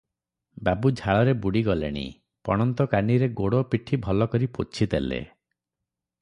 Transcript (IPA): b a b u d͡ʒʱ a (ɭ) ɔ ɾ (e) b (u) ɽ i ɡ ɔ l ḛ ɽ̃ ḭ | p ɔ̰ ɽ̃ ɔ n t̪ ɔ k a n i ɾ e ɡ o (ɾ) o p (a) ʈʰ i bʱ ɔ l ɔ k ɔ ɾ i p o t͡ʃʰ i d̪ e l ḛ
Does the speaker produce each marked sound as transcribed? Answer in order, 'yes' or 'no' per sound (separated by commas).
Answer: yes, yes, yes, no, no